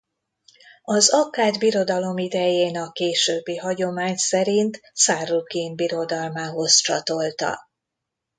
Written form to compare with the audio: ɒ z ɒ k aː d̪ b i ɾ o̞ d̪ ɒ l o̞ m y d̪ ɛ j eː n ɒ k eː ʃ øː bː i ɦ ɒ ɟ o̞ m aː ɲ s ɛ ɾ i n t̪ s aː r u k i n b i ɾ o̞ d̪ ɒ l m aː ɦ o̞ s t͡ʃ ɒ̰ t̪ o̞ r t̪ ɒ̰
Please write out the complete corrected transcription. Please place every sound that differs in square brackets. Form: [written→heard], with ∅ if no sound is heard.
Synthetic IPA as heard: ɒ z ɒ k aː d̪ b i ɾ o̞ d̪ ɒ l o̞ m [y→i] d̪ ɛ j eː n ɒ k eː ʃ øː bː i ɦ ɒ ɟ o̞ m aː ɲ s ɛ ɾ i n t̪ s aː r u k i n b i ɾ o̞ d̪ ɒ l m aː ɦ o̞ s t͡ʃ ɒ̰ t̪ o̞ [r→l] t̪ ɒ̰